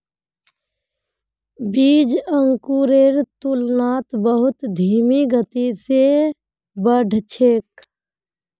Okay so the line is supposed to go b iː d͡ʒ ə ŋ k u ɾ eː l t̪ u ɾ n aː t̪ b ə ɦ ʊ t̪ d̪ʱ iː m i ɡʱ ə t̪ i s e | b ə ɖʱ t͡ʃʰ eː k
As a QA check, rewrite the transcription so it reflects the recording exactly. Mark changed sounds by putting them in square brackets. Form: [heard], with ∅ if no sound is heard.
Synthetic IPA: b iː d͡ʒ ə ŋ k u ɾ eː [ɾ] t̪ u [l] n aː t̪ b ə ɦ ʊ t̪ d̪ʱ iː m i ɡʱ ə t̪ i s e | b ə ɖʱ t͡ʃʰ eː k